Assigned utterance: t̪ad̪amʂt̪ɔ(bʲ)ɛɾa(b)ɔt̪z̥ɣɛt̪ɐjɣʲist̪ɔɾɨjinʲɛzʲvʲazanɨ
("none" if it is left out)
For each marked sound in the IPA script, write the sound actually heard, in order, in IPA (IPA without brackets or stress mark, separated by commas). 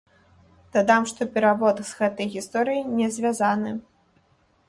pʲ, v